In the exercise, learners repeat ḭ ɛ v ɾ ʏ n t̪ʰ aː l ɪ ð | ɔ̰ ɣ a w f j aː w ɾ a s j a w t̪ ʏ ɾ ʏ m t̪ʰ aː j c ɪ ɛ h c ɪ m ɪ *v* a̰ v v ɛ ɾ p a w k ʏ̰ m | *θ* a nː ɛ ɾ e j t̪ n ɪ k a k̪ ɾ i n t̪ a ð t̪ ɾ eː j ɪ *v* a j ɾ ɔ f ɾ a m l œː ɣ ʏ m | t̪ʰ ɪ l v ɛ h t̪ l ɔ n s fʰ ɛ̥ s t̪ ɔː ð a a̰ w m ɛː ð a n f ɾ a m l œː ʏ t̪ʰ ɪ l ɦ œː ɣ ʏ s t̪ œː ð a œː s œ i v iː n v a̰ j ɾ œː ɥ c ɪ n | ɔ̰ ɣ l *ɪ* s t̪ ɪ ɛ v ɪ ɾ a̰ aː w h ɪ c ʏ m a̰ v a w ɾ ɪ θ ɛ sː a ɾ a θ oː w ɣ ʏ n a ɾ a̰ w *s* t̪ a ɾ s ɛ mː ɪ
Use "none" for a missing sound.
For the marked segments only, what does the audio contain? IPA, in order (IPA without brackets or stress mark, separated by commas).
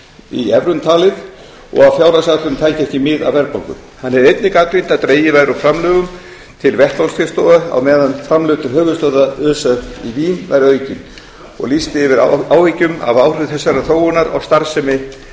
ð, h, v, i, s